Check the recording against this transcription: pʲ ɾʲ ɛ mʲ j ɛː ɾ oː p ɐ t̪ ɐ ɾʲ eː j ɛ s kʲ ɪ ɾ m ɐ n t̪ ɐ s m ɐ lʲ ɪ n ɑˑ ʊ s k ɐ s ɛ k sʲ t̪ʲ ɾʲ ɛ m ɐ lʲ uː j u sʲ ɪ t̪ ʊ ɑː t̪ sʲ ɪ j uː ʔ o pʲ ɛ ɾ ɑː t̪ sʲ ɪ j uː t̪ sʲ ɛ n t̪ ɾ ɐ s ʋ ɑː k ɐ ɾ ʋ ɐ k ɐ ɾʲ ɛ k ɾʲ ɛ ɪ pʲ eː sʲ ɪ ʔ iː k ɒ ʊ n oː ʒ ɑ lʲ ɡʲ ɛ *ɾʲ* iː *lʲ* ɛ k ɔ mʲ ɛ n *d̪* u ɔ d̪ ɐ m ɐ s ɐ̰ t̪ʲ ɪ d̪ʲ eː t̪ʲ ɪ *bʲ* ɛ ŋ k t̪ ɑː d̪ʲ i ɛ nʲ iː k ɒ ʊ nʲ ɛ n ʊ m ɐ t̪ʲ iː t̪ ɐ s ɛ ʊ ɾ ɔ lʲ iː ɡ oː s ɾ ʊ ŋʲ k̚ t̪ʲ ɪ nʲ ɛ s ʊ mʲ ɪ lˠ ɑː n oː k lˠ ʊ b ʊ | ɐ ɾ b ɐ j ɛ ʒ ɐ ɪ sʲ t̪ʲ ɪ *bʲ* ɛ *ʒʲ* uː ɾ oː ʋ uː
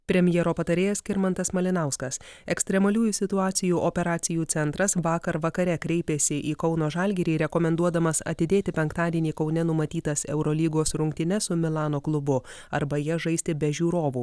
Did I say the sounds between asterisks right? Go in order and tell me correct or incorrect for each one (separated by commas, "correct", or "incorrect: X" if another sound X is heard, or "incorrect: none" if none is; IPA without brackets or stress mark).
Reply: correct, incorrect: ɾʲ, correct, incorrect: pʲ, correct, correct